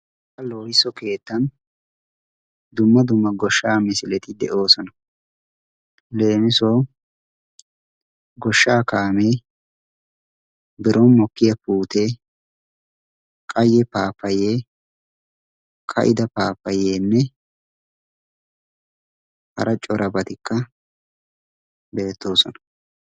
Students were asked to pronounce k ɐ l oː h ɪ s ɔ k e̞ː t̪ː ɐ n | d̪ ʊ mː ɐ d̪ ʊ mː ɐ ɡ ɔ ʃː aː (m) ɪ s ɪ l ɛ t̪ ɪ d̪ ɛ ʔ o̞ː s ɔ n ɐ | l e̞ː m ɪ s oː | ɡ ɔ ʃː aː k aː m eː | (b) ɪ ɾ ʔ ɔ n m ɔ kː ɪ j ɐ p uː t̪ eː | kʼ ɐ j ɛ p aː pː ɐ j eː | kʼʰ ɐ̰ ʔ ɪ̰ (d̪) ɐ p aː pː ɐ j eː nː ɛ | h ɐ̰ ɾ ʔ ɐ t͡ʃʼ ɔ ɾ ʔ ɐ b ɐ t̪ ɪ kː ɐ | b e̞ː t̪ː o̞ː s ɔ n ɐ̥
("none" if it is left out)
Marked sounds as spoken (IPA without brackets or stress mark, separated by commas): m, b, d̪